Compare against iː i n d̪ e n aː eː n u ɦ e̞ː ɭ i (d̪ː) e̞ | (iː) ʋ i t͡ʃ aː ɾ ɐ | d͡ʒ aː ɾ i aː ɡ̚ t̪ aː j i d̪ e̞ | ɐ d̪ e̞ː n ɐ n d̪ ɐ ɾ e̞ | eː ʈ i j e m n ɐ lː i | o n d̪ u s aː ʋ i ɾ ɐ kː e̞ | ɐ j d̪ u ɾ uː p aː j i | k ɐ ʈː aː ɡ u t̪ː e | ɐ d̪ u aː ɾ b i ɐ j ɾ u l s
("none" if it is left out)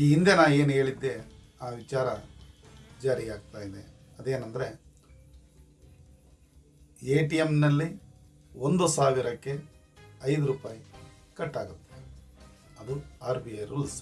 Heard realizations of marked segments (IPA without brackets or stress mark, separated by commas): d̪ː, aː